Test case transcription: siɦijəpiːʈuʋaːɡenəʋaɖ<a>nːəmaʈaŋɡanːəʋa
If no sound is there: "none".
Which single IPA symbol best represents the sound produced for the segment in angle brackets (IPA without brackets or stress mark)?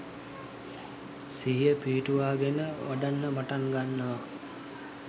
a